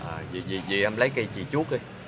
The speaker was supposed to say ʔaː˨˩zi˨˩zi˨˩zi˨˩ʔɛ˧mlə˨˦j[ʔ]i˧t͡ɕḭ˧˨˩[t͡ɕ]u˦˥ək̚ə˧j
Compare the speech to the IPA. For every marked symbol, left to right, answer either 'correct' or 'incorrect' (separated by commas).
incorrect, correct